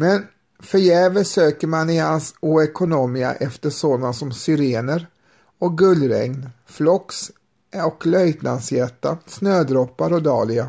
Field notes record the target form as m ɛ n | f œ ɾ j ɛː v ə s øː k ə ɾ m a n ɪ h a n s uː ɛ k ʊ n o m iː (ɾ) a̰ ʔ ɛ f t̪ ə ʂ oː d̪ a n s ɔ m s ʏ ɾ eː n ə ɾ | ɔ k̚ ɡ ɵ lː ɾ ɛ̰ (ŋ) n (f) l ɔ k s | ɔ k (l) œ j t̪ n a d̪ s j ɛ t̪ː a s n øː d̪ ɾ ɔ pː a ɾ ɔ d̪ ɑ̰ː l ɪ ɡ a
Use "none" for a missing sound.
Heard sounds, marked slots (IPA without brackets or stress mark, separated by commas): none, ŋ, f, l